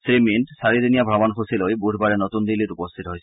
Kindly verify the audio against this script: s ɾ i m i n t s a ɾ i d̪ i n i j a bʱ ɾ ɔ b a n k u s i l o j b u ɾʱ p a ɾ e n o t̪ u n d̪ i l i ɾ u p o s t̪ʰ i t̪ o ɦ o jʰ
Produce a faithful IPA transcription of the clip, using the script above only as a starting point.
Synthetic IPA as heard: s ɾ i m i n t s a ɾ i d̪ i n i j a bʱ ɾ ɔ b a n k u s i l o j b u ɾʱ b a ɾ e n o t̪ u n d̪ i l i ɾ u p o s t̪ʰ i t̪ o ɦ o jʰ

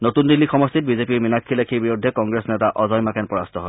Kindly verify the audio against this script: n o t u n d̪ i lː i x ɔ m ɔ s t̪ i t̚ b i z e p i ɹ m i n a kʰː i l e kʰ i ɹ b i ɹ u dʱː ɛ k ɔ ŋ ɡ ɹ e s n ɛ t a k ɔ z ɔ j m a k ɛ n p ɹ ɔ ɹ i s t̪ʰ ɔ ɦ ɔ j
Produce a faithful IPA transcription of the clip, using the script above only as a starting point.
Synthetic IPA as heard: n o t u n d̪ i lː i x ɔ m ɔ s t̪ i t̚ b i z e p i ɹ m i n a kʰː i l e kʰ i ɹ b i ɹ u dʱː ɛ k ɔ ŋ ɡ ɹ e s n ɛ t a ʔ ɔ z ɔ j m a k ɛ n p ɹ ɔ ɹ a s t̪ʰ ɔ ɦ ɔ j

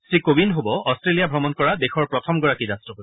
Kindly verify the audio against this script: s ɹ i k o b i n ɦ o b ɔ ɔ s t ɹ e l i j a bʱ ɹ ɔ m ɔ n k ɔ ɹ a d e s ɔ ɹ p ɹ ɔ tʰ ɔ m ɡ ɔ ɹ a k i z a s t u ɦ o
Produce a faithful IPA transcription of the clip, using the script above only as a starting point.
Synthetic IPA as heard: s ɹ i k o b i n ɦ o b ɔ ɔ s t ɹ e l i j a bʱ ɹ ɔ m ɔ n k ɔ ɹ a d e x ɔ ɹ p ɹ ɔ tʰ ɔ m ɡ ɔ ɹ a k i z a s t ɔ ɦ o

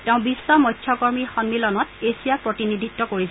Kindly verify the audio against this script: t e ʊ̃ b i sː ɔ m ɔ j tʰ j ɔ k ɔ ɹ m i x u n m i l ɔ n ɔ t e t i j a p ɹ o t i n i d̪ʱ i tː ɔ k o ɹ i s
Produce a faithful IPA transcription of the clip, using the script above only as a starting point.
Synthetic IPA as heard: t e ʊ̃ b i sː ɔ m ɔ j tʰ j ɔ k ɔ ɹ m i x ɔ n m i l ɔ n ɔ t e s i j a p ɹ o t i n i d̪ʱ i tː ɔ k o ɹ i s

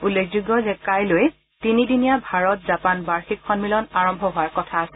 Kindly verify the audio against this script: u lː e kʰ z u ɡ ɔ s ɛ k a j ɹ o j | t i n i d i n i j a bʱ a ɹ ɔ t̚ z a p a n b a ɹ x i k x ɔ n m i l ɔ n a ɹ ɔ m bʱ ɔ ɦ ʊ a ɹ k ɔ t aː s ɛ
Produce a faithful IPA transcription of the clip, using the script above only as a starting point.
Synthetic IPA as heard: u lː e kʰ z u ɡ ɔ z ɛ k a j l o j | t i n i d i n i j a bʱ a ɹ ɔ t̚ z a p a n b a ɹ x i k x ɔ n m i l ɔ n a ɹ ɔ m bʱ ɔ ɦ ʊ a ɹ k ɔ tʰ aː s ɛ

